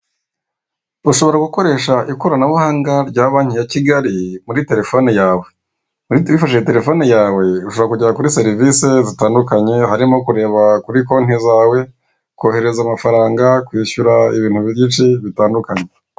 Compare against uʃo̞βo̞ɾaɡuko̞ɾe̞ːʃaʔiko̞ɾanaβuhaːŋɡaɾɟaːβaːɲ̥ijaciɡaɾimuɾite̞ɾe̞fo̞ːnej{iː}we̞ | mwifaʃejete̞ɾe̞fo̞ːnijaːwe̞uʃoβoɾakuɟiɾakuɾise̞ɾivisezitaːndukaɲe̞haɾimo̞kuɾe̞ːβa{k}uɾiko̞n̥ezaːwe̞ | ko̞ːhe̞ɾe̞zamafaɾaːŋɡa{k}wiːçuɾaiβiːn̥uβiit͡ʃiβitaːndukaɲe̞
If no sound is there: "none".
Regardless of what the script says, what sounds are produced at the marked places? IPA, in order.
aː, k, k

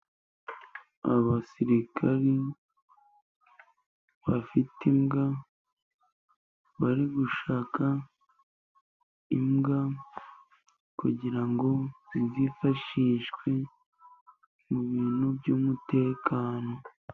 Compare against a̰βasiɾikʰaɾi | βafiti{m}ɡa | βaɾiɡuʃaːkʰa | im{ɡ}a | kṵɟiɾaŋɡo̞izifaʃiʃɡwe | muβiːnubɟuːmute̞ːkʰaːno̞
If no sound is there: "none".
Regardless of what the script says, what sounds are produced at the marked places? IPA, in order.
m, ɡ

